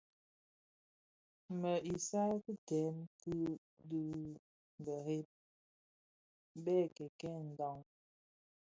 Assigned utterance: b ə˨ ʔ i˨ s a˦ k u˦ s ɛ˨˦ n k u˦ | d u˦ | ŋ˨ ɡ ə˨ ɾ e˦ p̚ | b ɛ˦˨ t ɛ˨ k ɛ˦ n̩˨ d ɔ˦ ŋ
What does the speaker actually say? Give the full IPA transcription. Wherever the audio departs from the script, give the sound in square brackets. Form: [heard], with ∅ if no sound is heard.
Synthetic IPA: [m] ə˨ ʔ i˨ s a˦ k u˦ [t] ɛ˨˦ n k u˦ | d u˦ | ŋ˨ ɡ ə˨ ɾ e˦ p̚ | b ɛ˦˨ [k] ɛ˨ k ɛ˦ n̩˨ d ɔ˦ ŋ